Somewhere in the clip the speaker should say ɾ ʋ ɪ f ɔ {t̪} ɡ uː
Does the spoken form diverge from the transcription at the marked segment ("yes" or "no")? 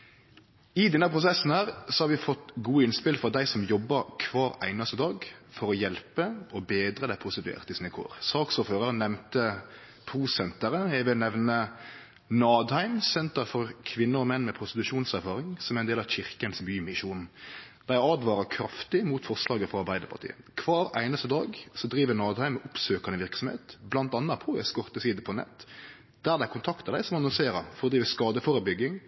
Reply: no